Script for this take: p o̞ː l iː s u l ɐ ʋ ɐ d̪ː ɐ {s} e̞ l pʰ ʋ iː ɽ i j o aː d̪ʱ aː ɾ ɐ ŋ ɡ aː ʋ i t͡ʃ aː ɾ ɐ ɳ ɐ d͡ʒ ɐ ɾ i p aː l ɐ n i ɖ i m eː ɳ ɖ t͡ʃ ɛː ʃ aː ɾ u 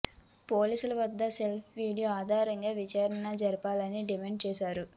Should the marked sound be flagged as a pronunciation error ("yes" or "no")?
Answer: no